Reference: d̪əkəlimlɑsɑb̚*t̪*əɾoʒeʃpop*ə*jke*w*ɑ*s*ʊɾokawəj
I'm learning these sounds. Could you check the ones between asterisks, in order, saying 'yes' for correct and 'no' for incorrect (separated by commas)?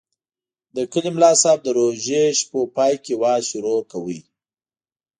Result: no, no, yes, no